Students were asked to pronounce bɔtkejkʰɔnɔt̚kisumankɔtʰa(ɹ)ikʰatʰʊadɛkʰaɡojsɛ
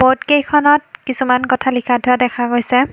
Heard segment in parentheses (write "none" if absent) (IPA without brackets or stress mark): l